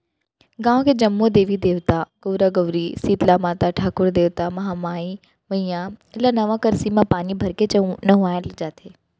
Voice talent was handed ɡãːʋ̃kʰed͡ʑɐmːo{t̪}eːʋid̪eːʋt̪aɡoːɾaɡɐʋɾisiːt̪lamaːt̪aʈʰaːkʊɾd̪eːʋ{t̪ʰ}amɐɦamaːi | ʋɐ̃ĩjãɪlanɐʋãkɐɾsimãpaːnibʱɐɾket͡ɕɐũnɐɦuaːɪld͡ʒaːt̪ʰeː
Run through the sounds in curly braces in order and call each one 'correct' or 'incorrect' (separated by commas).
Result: incorrect, incorrect